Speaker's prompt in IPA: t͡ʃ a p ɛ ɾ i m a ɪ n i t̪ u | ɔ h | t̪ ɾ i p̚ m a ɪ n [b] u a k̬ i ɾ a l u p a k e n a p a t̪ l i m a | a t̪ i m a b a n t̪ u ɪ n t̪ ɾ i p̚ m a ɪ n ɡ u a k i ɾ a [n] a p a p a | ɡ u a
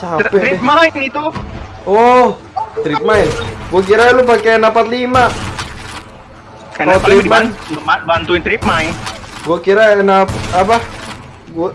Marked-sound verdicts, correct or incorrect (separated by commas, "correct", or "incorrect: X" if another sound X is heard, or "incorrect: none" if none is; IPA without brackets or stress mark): incorrect: ɡ, correct